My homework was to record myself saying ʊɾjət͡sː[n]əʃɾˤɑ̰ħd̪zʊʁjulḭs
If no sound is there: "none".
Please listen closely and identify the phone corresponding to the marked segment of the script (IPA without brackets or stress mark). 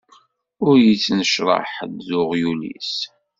n